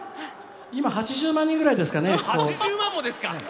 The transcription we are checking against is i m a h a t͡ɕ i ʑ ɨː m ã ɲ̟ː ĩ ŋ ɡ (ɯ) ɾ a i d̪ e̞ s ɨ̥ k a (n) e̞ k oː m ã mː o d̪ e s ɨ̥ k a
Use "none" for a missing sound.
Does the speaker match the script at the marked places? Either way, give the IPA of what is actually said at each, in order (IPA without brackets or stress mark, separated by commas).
ɯ, n